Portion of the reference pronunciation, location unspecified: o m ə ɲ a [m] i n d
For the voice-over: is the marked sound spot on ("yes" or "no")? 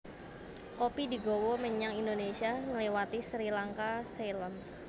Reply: no